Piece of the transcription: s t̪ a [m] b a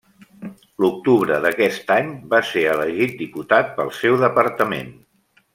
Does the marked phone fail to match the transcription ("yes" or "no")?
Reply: yes